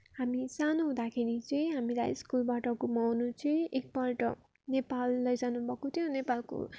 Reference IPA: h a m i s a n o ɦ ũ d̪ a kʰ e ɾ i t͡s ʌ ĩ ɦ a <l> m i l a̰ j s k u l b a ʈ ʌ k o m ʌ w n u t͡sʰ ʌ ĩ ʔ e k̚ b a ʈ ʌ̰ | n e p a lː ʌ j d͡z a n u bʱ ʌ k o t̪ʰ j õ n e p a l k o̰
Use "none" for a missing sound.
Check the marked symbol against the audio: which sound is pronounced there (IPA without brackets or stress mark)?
none